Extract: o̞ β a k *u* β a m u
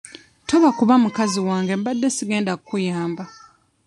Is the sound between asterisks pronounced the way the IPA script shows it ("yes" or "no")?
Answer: yes